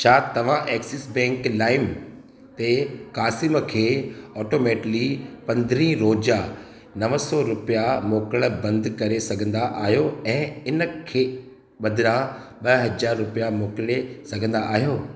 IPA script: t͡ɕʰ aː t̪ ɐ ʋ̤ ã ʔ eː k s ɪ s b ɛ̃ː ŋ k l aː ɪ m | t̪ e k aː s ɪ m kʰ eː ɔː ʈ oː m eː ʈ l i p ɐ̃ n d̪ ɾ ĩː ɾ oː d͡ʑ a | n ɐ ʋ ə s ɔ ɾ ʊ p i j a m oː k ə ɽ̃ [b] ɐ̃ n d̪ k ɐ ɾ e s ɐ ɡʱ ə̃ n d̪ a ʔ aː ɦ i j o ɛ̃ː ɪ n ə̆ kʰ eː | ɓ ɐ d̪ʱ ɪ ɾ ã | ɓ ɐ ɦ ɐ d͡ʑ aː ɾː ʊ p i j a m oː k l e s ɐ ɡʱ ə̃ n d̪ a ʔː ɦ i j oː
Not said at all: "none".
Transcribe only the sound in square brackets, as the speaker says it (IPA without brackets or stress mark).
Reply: b